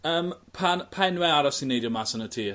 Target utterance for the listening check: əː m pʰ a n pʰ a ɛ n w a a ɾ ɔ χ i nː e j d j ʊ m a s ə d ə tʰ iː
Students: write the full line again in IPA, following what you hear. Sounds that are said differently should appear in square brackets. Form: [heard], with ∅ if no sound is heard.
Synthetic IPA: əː m pʰ a n pʰ a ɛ n w [ɛ] a ɾ ɔ [s] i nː e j d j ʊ m a s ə [n] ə tʰ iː